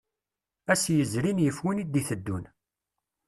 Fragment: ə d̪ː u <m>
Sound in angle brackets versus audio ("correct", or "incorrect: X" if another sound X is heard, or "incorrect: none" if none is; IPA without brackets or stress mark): incorrect: n